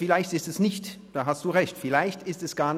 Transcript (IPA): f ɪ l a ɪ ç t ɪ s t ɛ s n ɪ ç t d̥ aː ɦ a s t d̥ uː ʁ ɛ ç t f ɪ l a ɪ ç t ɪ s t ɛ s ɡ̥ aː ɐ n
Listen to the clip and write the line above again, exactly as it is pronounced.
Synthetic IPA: f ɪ l a ɪ ç t ɪ s t ɛ s n ɪ ç t d̥ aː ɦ a s t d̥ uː ʁ ɛ ç t f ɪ l a ɪ ç t ɪ s t ɛ s ɡ̥ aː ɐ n